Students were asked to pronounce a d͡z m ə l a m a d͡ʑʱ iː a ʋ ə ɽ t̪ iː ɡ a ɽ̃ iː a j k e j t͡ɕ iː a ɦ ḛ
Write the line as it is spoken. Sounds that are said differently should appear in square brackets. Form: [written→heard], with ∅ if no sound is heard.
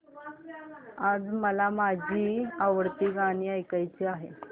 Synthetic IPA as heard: a d͡z m ə l a m a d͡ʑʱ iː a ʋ ə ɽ t̪ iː ɡ a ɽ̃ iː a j k [e→a] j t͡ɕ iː a ɦ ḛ